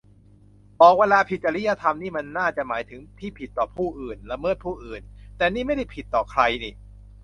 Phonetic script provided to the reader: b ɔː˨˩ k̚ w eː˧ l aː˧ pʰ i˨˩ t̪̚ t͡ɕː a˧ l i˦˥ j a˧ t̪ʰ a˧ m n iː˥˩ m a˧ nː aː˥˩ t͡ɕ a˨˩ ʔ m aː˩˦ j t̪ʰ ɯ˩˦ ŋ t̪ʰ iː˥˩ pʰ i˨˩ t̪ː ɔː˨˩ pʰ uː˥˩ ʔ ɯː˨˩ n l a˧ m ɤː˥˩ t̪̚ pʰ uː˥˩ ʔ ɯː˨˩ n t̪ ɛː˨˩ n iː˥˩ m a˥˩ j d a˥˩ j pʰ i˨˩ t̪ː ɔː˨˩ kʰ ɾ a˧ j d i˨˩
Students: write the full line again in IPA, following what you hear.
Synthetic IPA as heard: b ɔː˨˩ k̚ w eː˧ l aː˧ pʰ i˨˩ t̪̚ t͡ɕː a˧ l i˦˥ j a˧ t̪ʰ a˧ m n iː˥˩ m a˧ nː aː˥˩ t͡ɕ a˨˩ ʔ m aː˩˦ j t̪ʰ ɯ˩˦ ŋ t̪ʰ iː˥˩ pʰ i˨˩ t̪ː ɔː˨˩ pʰ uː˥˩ ʔ ɯː˨˩ n l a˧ m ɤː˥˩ t̪̚ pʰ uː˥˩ ʔ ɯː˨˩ n t̪ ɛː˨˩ n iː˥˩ m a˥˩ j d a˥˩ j pʰ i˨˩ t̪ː ɔː˨˩ kʰ ɾ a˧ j n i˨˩